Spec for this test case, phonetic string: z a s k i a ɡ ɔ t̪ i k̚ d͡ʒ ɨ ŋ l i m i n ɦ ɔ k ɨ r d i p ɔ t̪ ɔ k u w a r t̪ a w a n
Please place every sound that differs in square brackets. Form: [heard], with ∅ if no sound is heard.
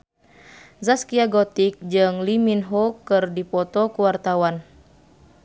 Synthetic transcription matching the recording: z a s k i a ɡ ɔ t̪ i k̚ d͡ʒ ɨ ŋ l i m i n ɦ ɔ k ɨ r d i p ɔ t̪ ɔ k u w a r t̪ a w a n